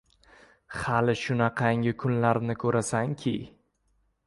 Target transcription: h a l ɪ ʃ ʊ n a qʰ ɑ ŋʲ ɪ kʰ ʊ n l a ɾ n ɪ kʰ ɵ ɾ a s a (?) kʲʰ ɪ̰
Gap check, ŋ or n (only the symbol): ŋ